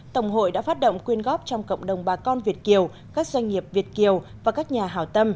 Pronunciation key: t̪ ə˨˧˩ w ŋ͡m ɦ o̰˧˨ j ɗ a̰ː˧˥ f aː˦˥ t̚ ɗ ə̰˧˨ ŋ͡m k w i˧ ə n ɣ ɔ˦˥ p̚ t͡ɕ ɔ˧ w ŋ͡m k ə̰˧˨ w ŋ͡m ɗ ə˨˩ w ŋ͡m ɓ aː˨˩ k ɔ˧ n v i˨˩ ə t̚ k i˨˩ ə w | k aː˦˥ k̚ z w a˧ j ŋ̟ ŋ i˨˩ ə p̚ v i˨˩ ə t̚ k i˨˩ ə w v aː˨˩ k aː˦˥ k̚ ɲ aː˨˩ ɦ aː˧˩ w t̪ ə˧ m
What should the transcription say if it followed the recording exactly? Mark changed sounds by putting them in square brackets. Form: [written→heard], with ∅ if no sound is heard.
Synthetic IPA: t̪ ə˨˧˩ w ŋ͡m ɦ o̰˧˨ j ɗ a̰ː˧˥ f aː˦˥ t̚ ɗ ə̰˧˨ ŋ͡m k w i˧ ə n ɣ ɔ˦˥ p̚ t͡ɕ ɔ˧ w ŋ͡m k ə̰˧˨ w ŋ͡m ɗ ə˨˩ w ŋ͡m ɓ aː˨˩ k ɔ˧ n v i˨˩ ə t̚ k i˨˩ ə w | k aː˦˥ k̚ z w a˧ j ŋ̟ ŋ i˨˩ ə p̚ v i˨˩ ə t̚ k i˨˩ ə w v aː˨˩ k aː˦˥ k̚ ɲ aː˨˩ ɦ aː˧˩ w t̪ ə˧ m